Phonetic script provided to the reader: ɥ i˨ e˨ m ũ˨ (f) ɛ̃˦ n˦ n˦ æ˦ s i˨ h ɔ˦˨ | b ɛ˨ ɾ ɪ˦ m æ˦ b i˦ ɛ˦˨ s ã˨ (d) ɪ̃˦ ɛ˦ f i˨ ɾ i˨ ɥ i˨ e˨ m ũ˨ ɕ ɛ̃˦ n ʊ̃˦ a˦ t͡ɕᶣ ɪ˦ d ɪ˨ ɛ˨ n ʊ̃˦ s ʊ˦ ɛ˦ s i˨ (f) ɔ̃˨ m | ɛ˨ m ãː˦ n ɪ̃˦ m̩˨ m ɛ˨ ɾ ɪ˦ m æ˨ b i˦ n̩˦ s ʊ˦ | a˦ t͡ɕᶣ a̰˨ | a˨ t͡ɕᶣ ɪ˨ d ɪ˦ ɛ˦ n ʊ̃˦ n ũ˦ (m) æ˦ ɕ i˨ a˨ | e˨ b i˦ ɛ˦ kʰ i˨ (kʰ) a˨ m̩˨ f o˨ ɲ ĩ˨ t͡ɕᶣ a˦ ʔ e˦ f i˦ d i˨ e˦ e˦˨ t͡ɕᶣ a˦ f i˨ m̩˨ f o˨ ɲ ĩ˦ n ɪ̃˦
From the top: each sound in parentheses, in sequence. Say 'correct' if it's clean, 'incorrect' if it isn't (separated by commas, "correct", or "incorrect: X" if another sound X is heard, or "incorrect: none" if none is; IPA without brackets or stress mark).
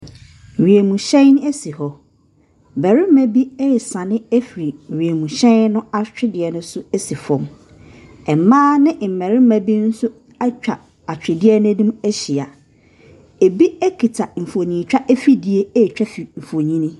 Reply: incorrect: ɕ, incorrect: n, correct, correct, incorrect: tʰ